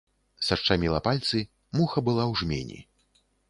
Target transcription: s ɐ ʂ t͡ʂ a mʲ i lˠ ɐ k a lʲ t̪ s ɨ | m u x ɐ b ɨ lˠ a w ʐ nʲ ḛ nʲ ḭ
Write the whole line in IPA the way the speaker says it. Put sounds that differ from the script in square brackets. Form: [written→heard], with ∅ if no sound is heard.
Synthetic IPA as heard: s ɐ ʂ t͡ʂ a mʲ i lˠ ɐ [k→p] a lʲ t̪ s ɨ | m u x ɐ b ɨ lˠ a w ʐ [nʲ→mʲ] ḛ nʲ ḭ